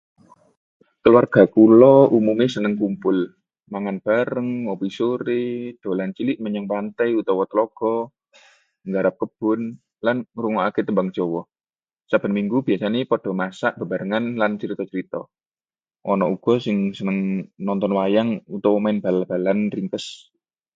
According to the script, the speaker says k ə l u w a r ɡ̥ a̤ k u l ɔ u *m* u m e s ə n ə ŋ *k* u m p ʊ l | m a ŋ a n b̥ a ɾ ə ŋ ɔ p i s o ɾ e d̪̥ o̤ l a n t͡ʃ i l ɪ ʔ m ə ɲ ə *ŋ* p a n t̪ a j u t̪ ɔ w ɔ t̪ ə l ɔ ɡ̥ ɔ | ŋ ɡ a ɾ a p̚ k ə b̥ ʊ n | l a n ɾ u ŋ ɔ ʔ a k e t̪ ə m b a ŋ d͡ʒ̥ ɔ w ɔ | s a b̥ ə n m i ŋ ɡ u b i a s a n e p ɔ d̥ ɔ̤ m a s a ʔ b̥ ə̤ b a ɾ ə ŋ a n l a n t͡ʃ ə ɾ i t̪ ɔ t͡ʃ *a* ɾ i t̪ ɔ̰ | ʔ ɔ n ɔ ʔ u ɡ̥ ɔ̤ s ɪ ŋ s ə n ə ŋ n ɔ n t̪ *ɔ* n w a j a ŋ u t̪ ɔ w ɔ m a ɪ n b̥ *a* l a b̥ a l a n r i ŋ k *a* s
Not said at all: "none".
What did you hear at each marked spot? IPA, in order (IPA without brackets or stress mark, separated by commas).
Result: m, k, ŋ, ə, ɔ, a, ə